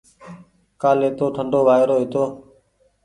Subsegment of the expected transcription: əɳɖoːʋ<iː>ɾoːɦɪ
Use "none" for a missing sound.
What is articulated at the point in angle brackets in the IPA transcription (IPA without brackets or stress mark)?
aː